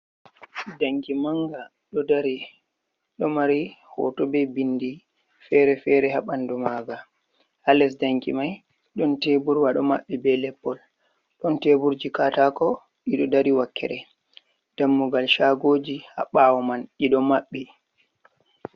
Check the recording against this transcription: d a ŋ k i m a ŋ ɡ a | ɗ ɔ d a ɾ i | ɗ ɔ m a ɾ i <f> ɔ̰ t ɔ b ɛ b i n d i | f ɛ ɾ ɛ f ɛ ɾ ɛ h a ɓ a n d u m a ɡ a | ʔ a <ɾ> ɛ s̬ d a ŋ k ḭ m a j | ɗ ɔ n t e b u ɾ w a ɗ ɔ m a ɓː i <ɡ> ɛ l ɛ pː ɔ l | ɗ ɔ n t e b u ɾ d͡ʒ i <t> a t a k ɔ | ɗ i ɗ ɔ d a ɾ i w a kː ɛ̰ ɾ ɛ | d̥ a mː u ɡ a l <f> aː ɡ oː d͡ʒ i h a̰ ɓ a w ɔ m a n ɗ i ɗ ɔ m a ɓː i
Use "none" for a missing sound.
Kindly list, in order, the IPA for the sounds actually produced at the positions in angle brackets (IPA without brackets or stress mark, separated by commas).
h, l, b, k, ʃ